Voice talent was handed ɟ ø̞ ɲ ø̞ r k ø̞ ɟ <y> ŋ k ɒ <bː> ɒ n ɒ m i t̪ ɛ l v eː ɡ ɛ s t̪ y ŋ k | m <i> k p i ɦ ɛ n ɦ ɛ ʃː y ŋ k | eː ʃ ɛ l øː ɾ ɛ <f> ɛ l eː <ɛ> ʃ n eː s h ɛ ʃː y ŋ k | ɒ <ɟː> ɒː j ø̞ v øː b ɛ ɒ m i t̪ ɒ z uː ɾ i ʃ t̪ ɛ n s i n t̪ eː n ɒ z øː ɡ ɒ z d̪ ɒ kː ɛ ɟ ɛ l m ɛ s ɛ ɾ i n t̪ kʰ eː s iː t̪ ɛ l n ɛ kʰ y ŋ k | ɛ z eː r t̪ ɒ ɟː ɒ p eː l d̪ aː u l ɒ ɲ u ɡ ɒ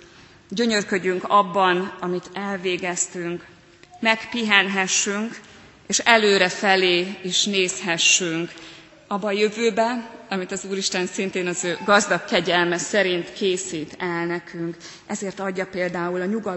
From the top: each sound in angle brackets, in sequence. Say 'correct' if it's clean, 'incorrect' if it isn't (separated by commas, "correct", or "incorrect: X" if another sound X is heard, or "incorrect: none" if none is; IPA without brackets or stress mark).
correct, correct, incorrect: ɛ, correct, incorrect: i, incorrect: bː